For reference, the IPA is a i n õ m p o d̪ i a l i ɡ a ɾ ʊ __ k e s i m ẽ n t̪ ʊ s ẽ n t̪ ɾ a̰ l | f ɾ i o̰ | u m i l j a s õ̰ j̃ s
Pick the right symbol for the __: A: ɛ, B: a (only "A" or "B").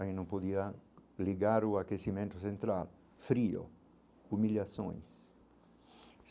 B